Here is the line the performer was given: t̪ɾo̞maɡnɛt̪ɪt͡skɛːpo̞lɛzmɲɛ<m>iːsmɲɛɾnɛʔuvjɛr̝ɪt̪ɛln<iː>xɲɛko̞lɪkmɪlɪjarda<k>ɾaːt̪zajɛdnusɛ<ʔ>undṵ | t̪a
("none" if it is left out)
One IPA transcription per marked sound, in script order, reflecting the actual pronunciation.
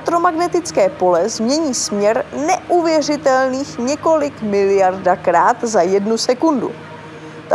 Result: ɲ, iː, k, k

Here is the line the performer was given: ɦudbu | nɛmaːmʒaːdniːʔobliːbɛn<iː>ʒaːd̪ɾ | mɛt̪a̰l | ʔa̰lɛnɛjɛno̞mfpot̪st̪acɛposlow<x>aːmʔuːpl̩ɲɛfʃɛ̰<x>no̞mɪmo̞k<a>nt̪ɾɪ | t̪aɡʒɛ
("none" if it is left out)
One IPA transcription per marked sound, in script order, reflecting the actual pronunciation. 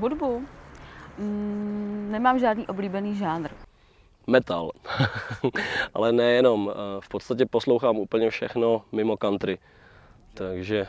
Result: iː, x, x, a

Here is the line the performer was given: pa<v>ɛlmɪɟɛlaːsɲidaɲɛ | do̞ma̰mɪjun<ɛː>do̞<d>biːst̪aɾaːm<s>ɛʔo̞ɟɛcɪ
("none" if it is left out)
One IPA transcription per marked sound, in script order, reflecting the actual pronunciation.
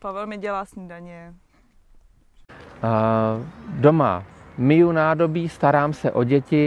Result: v, aː, none, s

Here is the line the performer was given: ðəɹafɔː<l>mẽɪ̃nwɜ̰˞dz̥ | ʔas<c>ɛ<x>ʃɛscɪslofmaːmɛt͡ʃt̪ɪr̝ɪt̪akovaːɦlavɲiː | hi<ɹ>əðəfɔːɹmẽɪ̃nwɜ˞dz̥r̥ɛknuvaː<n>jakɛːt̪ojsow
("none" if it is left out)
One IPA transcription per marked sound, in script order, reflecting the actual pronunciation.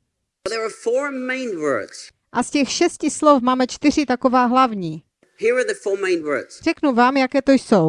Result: ɹ, c, x, ɹ, m

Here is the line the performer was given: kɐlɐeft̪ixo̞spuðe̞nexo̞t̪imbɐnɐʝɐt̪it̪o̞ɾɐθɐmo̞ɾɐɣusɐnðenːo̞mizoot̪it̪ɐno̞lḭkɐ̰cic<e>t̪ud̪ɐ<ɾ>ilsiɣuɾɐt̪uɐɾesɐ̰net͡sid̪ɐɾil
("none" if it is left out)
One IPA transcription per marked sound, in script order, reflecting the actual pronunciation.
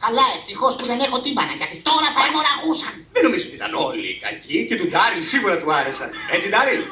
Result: e, ɾ

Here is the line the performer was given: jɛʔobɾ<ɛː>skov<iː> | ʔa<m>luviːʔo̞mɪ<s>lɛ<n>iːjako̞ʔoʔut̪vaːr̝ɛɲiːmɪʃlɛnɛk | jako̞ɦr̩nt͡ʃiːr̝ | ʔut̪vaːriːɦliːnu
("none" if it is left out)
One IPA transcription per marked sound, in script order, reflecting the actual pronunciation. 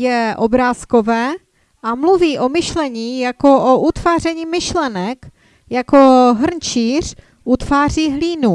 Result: aː, ɛː, m, ʃ, ɲ

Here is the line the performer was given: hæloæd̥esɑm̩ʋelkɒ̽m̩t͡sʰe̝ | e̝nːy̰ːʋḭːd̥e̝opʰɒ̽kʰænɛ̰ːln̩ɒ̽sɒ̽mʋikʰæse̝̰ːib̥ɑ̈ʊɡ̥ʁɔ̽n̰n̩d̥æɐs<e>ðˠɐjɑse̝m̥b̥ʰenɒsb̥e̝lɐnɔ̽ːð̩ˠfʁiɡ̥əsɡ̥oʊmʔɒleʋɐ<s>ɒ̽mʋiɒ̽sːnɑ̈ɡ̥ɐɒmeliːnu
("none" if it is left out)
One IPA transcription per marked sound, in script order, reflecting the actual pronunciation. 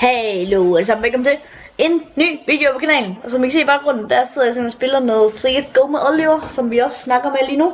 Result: e, s

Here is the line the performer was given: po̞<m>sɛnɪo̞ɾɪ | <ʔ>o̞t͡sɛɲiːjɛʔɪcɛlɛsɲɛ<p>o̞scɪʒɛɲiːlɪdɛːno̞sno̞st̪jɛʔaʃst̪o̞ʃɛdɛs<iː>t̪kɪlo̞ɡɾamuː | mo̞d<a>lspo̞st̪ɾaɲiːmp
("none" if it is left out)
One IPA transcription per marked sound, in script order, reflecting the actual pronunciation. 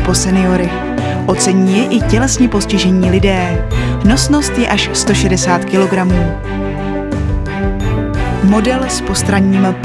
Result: none, ʔ, p, aː, ɛ

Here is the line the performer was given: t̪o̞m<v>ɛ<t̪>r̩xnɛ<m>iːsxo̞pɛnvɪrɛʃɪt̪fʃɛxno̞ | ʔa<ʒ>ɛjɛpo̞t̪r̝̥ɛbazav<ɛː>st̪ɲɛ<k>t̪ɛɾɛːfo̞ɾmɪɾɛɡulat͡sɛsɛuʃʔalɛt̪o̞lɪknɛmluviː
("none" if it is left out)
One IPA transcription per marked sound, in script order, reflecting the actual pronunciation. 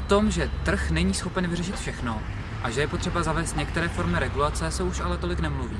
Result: ʒ, t̪, ɲ, ʒ, ɛː, k

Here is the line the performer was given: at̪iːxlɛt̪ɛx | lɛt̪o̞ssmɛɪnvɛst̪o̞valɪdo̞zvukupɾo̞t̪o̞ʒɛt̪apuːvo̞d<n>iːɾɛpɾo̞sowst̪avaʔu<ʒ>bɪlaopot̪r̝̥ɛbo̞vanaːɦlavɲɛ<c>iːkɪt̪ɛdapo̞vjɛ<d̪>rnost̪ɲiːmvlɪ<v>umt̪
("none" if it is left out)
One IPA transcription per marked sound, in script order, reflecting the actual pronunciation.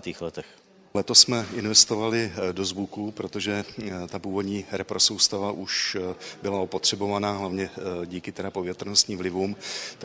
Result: ɲ, ʃ, ɟ, t̪, v

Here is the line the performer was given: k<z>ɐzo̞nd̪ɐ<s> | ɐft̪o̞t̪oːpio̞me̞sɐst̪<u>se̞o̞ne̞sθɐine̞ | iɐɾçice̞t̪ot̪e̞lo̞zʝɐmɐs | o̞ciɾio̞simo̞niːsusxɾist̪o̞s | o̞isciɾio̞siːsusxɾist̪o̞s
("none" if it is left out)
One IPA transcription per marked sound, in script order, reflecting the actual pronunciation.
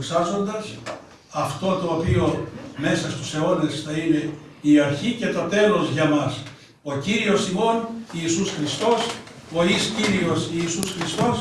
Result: s, s, u

